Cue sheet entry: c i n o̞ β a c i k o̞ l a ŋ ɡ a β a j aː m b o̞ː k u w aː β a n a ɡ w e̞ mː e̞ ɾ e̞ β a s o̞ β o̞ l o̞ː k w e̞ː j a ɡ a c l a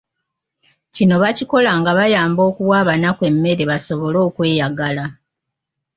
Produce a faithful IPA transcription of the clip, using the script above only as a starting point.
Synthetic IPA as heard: c i n o̞ β a c i k o̞ l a ŋ ɡ a β a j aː m b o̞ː k u w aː β a n a k w e̞ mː e̞ ɾ e̞ β a s o̞ β o̞ l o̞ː k w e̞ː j a ɡ a l a

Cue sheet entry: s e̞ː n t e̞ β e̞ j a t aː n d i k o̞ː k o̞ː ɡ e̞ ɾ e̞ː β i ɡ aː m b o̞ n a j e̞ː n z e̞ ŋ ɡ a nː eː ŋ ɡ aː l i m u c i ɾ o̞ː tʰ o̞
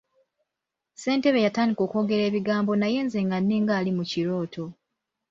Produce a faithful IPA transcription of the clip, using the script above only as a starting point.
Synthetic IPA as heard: s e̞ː n t e̞ β e̞ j a t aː n d i k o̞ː k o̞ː ɡ e̞ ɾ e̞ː β i ɡ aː m b o̞ n a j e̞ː n z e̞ ŋ ɡ a nː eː ŋ ɡ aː l i m u c i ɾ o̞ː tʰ o̞

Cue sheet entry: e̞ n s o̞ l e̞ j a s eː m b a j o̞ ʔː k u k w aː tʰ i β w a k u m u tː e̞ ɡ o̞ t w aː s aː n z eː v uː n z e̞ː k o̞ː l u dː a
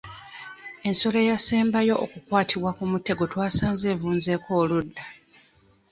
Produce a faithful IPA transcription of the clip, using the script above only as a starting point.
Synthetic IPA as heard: e̞ n s o̞ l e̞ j a s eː m b a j o̞ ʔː k u k w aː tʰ i β w a k u m u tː e̞ ɡ o̞ t w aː s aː n z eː v uː n z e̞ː k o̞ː l u dː a

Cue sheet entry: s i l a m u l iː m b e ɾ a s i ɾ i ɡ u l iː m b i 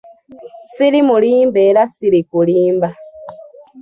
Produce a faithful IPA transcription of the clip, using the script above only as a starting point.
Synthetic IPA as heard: s i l i m u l iː m b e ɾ a s i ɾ i k u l iː m b a

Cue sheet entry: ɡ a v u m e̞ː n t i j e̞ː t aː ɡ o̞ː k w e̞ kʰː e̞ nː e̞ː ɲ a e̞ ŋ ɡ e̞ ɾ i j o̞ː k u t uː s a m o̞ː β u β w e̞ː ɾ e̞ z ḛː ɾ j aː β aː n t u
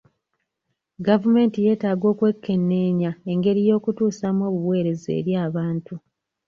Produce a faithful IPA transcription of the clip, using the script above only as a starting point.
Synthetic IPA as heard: ɡ a v u m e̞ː n t i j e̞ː t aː ɡ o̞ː k w e̞ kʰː e̞ nː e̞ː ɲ a e̞ ŋ ɡ e̞ ɾ i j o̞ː k u t uː s a m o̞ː β u β w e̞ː ɾ e̞ z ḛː ɾ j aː β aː n t u

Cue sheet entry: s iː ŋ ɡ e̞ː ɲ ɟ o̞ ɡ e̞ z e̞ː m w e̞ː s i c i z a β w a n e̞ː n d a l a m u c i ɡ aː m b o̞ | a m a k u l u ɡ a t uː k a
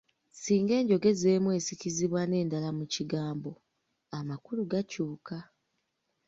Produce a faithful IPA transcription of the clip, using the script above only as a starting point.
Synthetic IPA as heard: s iː ŋ ɡ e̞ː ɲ ɟ o̞ ɡ e̞ z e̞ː m w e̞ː s i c i z i β w a n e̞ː n d a l a m u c i ɡ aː m b o̞ | a m a k u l u ɡ a c uː k a

